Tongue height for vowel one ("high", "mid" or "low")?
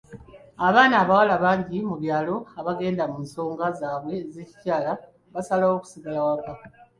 low